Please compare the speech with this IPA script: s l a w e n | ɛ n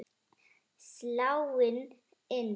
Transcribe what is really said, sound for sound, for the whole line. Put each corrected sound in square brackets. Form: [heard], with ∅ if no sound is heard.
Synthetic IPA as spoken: s l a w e n | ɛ n